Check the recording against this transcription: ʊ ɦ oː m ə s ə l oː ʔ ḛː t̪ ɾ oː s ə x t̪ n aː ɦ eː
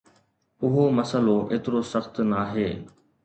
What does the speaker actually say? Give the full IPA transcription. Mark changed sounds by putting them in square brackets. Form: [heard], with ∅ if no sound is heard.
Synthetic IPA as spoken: ʊ ɦ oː m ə s ə l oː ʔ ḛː t̪ ɾ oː s ə x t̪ n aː ɦ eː

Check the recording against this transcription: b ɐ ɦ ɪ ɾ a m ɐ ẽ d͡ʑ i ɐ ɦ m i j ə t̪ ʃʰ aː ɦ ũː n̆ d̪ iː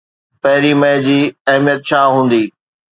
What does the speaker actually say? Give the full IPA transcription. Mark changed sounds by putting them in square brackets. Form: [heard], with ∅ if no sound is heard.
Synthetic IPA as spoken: [p] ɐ ɦ ɪ ɾ [i] m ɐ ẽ d͡ʑ [iː] ɐ ɦ m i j ə t̪ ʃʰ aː ɦ ũː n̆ d̪ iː

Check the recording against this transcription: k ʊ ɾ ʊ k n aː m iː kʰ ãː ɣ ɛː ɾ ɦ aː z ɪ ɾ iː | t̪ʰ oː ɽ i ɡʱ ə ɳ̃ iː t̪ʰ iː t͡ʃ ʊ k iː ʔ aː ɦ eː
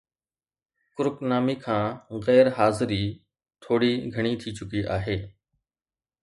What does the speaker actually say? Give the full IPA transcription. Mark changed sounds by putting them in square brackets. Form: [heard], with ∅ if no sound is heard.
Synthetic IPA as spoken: k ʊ ɾ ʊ k n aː m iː kʰ ãː ɣ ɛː ɾ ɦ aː z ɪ ɾ iː | t̪ʰ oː ɽ [iː] ɡʱ ə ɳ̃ iː t̪ʰ iː t͡ʃ ʊ k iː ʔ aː ɦ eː

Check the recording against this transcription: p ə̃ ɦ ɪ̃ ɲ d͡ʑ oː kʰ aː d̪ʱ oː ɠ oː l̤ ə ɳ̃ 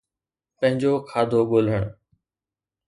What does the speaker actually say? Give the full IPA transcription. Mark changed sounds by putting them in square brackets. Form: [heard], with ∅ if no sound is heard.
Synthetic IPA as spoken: p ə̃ ɦ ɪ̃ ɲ d͡ʑ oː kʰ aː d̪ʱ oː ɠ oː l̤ ə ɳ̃

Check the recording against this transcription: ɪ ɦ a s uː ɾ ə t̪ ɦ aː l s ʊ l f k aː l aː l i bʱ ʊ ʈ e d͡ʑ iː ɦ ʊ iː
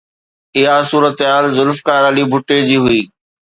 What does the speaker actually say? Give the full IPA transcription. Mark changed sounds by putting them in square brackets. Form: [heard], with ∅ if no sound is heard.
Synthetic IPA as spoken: ɪ ɦ a s uː ɾ ə t̪ ɦ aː l [z] ʊ l f k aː [ɾ] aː l i bʱ ʊ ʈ e d͡ʑ iː ɦ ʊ iː

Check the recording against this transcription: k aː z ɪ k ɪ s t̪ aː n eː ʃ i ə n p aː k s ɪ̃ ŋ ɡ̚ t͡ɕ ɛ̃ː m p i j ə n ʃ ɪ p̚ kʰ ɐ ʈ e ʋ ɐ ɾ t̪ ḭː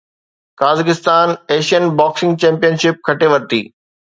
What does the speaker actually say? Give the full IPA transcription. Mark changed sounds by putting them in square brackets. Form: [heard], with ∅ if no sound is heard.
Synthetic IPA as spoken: k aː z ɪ k ɪ s t̪ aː n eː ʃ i ə n [b] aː k s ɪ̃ ŋ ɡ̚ t͡ɕ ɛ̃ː m p i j ə n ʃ ɪ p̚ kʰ ɐ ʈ e ʋ ɐ ɾ t̪ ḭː

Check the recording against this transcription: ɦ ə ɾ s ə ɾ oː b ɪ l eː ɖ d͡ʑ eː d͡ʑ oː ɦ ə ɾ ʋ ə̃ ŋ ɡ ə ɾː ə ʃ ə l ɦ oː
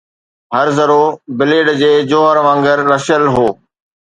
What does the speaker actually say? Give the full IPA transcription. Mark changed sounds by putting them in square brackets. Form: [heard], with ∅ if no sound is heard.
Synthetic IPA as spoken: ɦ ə ɾ [z] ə ɾ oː b ɪ l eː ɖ d͡ʑ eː d͡ʑ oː ɦ ə ɾ ʋ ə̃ ŋ ɡ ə ɾː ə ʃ ə l ɦ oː

